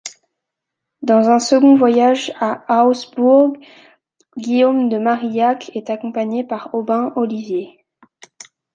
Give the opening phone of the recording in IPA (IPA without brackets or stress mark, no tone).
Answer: d̪